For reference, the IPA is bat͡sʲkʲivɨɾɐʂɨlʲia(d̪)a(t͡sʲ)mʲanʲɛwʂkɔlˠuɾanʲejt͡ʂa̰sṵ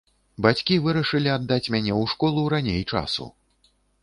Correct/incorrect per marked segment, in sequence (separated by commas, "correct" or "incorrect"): incorrect, correct